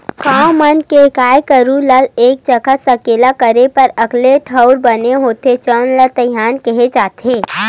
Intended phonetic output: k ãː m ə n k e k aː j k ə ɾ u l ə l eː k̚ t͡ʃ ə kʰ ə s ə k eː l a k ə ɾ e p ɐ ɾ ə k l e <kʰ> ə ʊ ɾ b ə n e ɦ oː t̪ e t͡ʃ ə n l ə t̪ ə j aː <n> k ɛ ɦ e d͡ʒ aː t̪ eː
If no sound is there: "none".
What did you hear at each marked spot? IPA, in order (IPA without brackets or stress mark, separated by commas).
ʈʰ, n